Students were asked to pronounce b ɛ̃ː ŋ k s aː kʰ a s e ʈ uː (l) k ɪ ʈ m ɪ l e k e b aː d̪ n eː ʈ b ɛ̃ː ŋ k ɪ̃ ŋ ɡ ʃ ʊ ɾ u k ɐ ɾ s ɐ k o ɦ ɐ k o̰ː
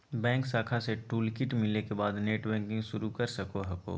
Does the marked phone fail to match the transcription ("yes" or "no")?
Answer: no